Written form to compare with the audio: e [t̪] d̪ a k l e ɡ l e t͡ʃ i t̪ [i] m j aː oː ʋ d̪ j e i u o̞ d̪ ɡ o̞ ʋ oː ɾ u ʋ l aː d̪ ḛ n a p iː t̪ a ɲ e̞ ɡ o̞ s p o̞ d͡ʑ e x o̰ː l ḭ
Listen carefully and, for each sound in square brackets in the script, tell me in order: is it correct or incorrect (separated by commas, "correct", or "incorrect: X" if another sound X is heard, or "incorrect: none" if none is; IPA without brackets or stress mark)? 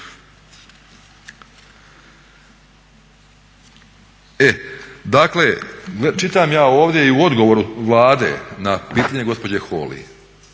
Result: incorrect: none, incorrect: a